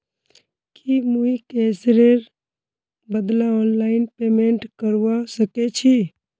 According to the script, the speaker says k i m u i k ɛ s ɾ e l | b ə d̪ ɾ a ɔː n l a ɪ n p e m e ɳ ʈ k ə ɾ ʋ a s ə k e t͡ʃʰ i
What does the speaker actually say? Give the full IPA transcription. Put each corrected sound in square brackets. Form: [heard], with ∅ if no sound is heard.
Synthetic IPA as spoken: k i m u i k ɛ s ɾ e [ɾ] | b ə d̪ [l] a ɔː n l a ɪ n p e m e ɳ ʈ k ə ɾ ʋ a s ə k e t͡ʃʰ i